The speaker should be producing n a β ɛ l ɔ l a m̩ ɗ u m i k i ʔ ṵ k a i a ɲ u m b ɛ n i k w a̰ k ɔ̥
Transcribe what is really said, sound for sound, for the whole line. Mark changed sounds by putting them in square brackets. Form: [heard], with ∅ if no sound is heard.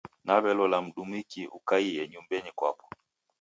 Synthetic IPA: n a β ɛ l ɔ l a m̩ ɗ u m i k i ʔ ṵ k a i [ɛ] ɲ u m b ɛ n i k w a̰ [p] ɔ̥